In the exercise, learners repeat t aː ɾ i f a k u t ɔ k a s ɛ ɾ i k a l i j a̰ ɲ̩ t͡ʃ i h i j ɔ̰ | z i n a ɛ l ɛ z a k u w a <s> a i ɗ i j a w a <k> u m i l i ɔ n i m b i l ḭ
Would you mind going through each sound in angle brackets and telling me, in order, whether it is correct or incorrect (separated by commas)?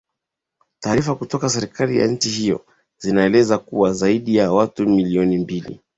incorrect, incorrect